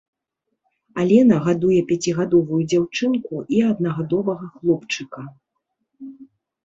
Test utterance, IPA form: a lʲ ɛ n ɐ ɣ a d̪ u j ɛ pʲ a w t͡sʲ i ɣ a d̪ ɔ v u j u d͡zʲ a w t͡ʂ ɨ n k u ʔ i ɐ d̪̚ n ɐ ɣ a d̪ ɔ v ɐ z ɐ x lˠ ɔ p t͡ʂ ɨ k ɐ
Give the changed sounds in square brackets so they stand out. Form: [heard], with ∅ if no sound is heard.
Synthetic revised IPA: a lʲ ɛ n ɐ ɣ a d̪ u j ɛ pʲ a [∅] t͡sʲ i ɣ a d̪ ɔ v u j u d͡zʲ a w t͡ʂ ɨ n k u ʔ i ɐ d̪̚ n ɐ ɣ a d̪ ɔ v ɐ [ɣ] ɐ x lˠ ɔ p t͡ʂ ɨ k ɐ